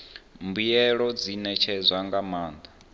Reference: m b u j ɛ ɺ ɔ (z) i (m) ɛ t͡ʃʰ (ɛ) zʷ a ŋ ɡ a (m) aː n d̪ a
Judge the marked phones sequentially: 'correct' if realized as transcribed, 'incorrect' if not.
incorrect: d͡z, incorrect: n, correct, correct

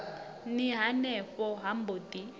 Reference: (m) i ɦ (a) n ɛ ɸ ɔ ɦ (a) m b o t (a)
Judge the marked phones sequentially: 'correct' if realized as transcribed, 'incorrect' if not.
incorrect: n, correct, correct, incorrect: i

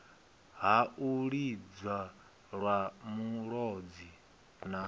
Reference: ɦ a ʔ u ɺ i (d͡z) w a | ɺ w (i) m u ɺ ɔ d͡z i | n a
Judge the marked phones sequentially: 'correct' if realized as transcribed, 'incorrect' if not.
correct, incorrect: a

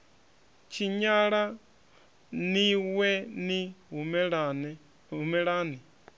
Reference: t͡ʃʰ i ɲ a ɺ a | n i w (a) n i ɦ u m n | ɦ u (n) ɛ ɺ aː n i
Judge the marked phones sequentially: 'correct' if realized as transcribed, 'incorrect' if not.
incorrect: ɛ, incorrect: m

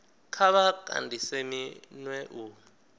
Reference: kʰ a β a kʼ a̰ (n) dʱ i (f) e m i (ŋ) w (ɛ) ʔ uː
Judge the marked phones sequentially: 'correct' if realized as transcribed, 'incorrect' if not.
correct, incorrect: s, incorrect: n, correct

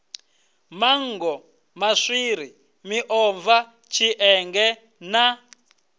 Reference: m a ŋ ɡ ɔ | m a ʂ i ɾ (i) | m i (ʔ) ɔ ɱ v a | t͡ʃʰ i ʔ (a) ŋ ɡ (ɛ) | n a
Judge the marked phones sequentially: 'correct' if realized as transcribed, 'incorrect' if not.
correct, correct, incorrect: ɛ, correct

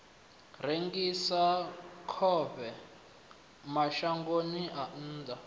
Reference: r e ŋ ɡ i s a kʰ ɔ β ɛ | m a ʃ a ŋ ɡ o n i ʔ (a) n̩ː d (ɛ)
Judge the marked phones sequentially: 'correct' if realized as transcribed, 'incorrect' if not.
correct, incorrect: a

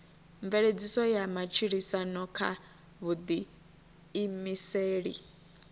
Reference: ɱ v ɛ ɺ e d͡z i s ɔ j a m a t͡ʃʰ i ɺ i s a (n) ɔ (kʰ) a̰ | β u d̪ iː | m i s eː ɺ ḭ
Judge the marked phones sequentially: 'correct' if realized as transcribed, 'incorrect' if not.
correct, correct

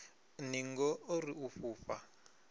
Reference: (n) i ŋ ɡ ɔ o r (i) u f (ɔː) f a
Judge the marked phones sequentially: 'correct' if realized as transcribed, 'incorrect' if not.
correct, correct, incorrect: uː

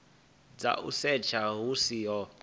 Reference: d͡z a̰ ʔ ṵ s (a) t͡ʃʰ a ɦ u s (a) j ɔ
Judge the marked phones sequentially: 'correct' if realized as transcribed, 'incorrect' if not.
incorrect: ɛ, incorrect: i

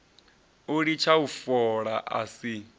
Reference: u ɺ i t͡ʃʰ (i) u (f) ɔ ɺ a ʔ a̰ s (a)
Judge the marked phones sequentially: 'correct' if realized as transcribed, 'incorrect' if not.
incorrect: a, correct, incorrect: i

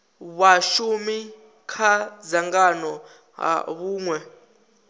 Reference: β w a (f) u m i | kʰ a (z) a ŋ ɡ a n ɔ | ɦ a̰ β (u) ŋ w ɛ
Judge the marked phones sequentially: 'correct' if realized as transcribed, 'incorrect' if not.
incorrect: ʃ, correct, incorrect: uː

